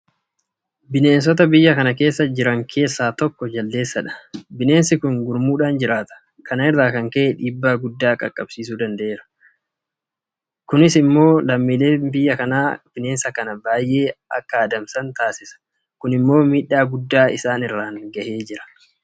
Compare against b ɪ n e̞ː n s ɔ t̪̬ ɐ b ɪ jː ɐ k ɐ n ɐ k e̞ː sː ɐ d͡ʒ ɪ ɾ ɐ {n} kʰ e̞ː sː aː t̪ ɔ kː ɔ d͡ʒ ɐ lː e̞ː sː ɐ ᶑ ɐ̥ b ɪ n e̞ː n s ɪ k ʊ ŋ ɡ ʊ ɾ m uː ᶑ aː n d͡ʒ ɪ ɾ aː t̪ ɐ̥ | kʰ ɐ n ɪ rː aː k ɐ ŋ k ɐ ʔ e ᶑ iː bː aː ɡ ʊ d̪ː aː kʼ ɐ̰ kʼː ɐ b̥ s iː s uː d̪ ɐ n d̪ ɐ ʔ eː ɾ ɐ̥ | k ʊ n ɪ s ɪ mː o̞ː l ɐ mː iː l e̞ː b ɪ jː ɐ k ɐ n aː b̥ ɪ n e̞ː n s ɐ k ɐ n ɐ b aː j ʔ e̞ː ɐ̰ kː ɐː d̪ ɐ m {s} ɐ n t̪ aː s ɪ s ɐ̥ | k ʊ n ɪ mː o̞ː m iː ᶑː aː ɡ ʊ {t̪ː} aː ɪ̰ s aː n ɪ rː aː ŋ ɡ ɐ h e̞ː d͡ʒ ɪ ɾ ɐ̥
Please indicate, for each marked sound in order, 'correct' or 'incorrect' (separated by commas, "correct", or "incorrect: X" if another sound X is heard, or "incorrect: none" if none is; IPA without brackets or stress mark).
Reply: incorrect: ŋ, correct, incorrect: d̪ː